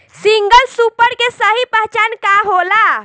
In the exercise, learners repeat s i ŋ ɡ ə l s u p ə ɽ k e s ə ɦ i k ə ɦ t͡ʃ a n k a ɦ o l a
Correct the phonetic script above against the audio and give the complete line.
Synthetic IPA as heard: s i ŋ ɡ ə l s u p ə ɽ k e s ə ɦ i p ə ɦ t͡ʃ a n k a ɦ o l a

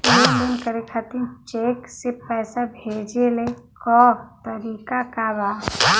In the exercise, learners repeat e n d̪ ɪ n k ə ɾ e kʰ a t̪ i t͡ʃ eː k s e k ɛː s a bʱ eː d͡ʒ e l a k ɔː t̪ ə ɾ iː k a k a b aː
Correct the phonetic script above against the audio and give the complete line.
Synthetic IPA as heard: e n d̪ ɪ n k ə ɾ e kʰ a t̪ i t͡ʃ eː k s e p ɛː s a bʱ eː d͡ʒ e l e k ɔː t̪ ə ɾ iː k a k a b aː

